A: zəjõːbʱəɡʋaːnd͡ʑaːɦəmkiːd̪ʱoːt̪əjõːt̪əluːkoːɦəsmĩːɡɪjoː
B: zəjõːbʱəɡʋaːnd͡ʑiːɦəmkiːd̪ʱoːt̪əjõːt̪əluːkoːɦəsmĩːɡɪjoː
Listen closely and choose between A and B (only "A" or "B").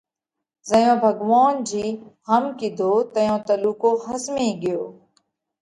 B